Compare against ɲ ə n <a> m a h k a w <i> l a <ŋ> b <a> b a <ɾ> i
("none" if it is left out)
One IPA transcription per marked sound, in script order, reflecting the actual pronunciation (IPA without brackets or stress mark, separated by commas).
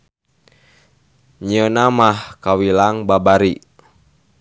a, i, ŋ, a, ɾ